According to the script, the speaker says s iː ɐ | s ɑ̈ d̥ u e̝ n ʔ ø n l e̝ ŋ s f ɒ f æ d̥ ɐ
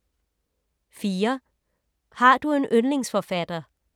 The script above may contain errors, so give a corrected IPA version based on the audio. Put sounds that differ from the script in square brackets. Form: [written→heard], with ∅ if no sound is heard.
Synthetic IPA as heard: [s→f] iː ɐ | [s→h] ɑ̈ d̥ u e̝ n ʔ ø n l e̝ ŋ s f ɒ f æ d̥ ɐ